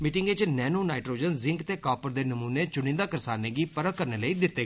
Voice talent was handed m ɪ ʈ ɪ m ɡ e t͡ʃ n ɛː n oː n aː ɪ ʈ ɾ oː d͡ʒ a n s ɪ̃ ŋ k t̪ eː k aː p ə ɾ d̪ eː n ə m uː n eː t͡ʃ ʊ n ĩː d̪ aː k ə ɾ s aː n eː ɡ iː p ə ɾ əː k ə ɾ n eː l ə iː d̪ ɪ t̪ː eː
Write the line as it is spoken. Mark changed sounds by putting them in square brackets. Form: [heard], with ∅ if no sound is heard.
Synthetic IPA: m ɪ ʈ ɪ [ŋ] ɡ e t͡ʃ n ɛː n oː n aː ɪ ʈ ɾ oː d͡ʒ [ə] n [z] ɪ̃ ŋ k t̪ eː k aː p ə ɾ d̪ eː n ə m uː n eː t͡ʃ ʊ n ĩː d̪ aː k ə ɾ s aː n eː ɡ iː p ə ɾ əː k ə ɾ n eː l ə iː d̪ ɪ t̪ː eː